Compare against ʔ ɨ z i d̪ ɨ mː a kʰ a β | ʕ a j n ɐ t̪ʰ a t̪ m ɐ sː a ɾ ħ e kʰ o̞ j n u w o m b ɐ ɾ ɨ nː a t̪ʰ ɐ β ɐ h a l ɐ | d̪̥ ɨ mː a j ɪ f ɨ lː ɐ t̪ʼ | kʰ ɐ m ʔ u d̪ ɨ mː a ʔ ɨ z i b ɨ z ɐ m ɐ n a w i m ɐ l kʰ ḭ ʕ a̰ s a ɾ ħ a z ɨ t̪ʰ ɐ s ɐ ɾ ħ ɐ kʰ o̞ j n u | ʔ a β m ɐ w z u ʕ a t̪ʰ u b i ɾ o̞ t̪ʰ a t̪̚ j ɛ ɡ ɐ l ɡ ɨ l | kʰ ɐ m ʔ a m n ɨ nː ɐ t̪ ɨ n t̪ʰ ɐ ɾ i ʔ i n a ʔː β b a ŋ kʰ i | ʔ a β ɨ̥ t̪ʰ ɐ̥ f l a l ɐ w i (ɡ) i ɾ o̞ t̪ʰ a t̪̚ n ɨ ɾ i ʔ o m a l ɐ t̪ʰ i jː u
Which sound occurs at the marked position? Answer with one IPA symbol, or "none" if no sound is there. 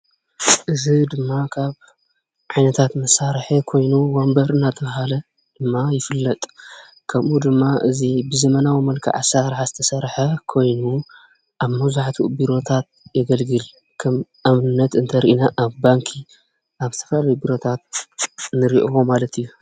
b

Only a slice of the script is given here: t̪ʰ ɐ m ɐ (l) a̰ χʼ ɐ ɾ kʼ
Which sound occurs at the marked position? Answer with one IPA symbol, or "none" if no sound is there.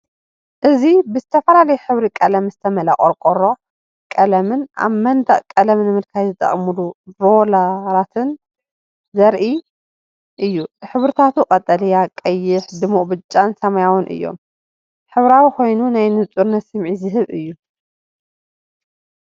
l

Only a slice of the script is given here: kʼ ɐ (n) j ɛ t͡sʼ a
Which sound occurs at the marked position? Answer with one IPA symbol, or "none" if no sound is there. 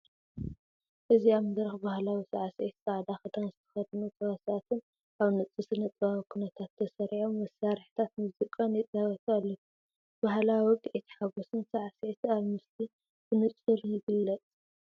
n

